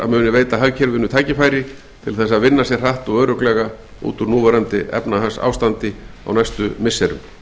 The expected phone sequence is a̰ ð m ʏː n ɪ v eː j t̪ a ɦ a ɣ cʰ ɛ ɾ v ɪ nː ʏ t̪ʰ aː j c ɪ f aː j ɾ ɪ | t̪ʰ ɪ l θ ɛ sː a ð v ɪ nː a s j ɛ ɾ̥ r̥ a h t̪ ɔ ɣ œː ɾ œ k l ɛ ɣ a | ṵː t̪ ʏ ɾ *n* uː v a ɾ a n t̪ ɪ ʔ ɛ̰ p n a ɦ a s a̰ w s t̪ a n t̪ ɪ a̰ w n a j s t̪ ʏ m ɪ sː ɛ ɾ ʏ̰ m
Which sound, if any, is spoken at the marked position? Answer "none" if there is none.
n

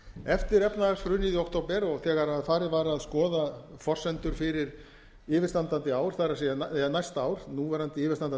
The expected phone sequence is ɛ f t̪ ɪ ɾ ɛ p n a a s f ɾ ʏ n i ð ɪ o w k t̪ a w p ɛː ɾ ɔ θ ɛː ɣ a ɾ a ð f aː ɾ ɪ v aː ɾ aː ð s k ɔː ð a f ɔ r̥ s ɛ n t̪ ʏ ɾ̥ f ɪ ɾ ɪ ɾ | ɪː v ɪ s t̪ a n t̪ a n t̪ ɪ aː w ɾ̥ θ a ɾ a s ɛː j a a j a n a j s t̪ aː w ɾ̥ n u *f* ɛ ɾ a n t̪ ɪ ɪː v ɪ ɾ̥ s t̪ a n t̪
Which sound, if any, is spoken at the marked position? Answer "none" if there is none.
v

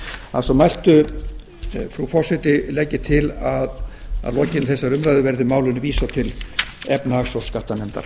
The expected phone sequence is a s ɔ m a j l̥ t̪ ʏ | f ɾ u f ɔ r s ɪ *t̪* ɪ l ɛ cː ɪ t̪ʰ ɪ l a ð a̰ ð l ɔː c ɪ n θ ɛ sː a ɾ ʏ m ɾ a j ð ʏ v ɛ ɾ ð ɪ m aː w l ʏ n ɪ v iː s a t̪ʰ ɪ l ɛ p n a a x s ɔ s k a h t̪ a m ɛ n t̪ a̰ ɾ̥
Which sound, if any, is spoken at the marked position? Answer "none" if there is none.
t̪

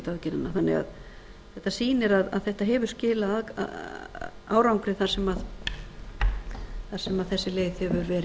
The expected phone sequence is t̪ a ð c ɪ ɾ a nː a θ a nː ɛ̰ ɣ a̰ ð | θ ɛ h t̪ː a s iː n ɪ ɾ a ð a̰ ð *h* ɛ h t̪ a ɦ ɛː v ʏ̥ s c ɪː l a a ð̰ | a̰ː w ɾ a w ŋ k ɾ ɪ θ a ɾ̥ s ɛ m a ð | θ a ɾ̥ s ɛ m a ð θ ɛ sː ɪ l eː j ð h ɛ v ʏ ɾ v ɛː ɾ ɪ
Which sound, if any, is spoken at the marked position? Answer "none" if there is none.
θ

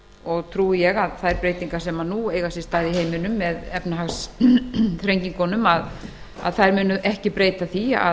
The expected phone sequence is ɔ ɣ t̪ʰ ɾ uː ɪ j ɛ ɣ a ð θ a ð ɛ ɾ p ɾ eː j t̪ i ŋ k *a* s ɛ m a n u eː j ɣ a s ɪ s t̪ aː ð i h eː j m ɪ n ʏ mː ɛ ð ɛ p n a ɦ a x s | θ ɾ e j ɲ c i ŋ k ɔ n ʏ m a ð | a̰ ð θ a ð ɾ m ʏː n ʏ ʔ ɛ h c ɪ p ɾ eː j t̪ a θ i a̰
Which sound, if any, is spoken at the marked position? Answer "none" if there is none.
a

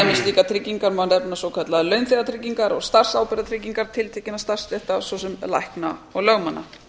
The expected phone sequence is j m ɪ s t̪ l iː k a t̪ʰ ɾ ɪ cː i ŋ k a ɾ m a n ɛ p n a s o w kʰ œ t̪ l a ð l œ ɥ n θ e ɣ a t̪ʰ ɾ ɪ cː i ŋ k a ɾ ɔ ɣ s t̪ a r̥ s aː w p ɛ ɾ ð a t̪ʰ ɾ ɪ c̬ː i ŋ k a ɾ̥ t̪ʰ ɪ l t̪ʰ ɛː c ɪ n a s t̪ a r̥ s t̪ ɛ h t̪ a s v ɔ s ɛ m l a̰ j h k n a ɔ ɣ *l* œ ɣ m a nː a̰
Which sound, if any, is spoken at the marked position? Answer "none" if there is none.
l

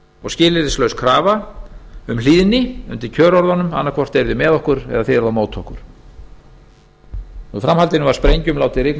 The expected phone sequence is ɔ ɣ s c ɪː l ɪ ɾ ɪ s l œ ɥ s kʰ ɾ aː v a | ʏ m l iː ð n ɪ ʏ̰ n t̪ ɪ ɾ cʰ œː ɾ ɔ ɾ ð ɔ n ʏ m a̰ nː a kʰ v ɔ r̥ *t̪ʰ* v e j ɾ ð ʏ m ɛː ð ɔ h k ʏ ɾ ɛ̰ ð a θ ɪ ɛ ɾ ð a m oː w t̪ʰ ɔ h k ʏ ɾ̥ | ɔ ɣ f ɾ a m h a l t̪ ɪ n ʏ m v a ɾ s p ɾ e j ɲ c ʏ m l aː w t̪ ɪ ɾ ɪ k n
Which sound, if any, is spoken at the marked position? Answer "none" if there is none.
t̪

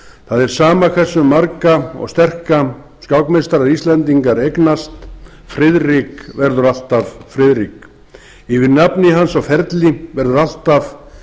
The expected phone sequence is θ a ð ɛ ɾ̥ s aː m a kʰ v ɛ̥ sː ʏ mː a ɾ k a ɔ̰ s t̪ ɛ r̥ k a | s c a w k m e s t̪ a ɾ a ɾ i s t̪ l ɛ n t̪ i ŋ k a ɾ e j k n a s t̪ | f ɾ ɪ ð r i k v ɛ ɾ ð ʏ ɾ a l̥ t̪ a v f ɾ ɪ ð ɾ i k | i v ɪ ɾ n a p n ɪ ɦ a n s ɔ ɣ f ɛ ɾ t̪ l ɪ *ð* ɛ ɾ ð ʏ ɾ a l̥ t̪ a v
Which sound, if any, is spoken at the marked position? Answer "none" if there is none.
v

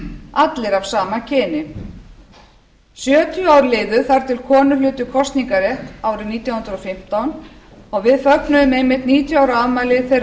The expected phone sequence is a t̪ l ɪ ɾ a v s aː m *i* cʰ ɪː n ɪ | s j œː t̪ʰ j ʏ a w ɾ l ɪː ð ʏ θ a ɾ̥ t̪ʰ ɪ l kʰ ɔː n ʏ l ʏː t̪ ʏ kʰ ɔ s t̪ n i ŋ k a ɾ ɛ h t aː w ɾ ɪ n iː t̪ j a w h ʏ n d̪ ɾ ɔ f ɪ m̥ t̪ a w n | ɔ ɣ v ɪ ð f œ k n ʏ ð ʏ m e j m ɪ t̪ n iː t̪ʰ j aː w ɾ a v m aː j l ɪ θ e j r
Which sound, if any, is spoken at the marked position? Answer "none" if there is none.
a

